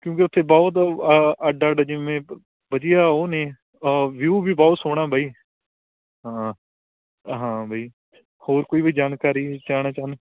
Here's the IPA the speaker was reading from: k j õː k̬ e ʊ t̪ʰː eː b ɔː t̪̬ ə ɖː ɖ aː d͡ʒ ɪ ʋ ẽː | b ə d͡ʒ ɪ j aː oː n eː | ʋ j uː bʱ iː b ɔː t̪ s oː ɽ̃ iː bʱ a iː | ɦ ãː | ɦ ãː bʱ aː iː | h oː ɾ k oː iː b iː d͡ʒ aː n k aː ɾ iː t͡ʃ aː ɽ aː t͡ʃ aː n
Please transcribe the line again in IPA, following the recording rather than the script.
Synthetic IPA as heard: k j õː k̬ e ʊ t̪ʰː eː b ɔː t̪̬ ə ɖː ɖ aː d͡ʒ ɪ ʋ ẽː | b ə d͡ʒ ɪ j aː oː n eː | ʋ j uː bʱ iː b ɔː t̪ s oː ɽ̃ aː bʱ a iː | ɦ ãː | ɦ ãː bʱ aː iː | h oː ɾ k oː iː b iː d͡ʒ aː n k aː ɾ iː t͡ʃ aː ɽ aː t͡ʃ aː n